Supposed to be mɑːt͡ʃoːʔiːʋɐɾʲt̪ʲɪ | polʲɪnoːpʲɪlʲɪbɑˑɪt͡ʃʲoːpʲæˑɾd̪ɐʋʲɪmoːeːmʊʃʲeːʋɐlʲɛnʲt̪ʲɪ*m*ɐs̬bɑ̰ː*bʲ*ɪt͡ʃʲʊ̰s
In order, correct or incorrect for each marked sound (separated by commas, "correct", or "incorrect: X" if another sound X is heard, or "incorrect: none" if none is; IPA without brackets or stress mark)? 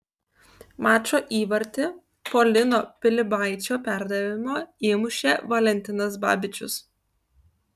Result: incorrect: n, correct